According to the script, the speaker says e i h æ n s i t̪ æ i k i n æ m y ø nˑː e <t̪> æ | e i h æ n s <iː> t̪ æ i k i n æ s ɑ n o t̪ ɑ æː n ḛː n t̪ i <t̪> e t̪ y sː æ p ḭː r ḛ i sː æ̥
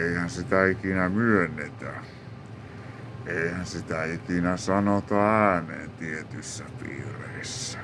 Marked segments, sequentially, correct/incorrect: correct, incorrect, incorrect

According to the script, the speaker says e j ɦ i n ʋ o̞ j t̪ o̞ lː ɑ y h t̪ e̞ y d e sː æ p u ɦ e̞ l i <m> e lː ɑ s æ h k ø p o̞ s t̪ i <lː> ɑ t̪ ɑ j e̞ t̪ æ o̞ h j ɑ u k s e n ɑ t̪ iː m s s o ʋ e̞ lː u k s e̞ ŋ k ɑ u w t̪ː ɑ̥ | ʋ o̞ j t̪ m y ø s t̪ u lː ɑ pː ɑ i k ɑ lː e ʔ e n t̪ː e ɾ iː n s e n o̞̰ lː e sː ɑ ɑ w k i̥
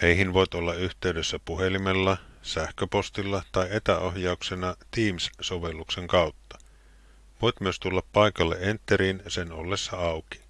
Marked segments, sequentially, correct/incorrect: correct, correct

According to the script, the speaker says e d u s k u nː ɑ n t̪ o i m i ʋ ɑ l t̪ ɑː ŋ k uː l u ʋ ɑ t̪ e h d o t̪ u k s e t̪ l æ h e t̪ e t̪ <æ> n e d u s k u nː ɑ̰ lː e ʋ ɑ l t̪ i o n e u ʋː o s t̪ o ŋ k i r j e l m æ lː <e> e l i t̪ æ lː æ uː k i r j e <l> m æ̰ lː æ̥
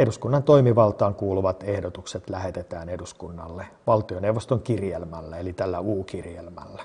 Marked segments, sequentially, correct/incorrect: incorrect, incorrect, correct

